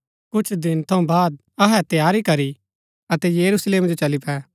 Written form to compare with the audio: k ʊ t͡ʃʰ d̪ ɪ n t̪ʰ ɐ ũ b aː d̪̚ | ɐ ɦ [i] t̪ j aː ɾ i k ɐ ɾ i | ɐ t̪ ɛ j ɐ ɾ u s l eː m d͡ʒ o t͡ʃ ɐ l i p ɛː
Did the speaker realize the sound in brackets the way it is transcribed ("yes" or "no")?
no